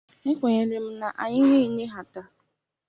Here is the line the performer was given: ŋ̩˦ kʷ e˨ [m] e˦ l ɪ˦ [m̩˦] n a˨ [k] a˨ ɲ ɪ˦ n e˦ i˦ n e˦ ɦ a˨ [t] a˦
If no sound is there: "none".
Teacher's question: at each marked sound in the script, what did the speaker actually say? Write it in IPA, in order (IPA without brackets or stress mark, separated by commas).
ɲ, m̩˦, ʔ, t